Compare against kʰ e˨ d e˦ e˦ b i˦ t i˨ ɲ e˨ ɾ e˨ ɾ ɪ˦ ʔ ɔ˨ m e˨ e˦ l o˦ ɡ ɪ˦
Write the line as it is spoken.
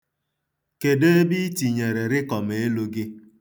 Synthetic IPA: k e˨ d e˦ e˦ b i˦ t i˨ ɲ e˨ ɾ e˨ ɾ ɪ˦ k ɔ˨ m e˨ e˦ l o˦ ɡ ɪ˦